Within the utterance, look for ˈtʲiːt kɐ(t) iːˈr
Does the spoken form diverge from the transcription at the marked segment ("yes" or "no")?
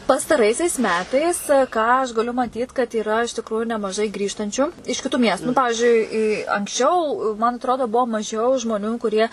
no